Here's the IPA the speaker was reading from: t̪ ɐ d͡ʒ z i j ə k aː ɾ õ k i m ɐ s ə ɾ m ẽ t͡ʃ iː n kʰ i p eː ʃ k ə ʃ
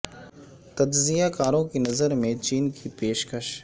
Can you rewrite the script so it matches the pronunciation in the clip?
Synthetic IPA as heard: t̪ ɐ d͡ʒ z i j a k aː ɾ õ k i n ɐ z ə ɾ m ẽ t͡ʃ iː n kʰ i p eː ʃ k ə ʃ